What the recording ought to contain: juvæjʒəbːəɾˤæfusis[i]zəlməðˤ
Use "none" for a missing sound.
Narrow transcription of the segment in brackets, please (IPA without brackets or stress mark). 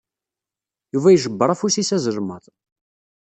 æ